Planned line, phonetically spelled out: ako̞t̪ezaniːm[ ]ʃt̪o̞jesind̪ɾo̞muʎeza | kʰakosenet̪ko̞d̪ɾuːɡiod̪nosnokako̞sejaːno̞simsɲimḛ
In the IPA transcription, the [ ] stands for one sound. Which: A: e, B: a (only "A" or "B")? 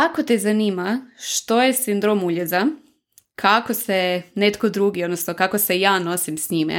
B